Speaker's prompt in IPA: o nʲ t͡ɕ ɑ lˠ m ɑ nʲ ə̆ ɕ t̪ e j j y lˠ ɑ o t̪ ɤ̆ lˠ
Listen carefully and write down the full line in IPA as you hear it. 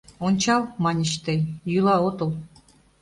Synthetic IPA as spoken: o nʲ t͡ɕ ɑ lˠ m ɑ nʲ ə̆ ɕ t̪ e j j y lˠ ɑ o t̪ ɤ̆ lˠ